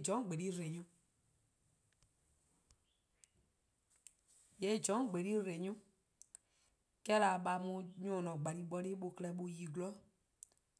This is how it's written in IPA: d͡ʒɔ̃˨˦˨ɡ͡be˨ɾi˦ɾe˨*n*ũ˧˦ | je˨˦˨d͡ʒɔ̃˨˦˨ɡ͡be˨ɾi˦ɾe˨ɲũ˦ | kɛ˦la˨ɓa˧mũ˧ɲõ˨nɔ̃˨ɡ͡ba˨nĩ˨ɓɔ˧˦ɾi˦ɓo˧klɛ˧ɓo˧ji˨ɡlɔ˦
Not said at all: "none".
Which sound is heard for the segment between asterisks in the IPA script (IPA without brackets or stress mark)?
ɲ